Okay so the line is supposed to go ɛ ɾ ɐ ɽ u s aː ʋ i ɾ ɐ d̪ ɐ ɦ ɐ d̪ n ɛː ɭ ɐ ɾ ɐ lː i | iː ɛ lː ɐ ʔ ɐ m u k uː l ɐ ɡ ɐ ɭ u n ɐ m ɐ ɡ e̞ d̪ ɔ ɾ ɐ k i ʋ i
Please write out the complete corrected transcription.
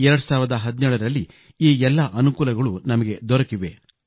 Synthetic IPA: ɛ ɾ ɐ ɽ u s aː ʋ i ɾ ɐ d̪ ɐ ɦ ɐ d̪ n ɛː ɭ ɐ ɾ ɐ lː i | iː ɛ lː ɐ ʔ ɐ n u k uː l ɐ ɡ ɐ ɭ u n ɐ m ɐ ɡ e̞ d̪ ɔ ɾ ɐ k i ʋ e